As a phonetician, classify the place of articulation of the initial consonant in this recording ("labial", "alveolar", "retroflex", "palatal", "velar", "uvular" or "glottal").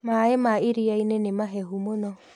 labial